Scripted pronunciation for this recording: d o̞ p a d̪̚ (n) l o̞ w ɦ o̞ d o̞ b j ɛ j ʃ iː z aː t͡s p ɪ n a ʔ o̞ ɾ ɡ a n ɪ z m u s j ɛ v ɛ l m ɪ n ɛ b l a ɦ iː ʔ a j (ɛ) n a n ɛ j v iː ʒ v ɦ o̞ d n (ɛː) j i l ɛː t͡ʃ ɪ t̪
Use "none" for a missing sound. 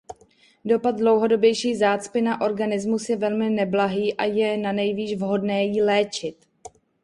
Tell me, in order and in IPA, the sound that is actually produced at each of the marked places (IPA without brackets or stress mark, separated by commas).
d, ɛ, ɛː